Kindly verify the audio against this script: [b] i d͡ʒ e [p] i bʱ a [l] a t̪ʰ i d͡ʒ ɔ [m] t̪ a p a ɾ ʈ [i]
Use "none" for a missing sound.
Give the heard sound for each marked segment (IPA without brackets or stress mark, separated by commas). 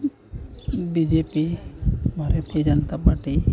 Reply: b, p, ɾ, n, i